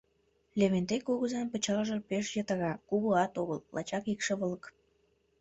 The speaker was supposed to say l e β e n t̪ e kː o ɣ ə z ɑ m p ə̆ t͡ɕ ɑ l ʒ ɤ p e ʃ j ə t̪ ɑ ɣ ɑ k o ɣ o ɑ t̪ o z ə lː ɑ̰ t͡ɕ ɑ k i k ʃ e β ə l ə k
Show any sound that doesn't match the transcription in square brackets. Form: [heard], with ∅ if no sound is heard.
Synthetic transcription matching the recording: l e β e n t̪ e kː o ɣ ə z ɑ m p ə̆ t͡ɕ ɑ l ʒ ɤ p e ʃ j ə t̪ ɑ ɣ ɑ k [u] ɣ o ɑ t̪ o [ɣ] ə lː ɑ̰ t͡ɕ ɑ k i k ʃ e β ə l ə k